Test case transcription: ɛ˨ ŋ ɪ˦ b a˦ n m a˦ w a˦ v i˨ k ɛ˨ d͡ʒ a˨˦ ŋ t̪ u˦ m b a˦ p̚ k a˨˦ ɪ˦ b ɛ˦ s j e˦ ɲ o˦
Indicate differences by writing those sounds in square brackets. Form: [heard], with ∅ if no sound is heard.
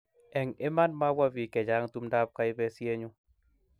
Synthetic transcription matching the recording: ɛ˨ ŋ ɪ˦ [m] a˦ n m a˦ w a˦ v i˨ k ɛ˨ d͡ʒ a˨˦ ŋ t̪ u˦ m [d] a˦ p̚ k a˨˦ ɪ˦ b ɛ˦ s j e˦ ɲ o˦